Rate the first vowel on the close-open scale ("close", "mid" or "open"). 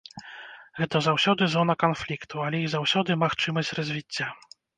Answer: mid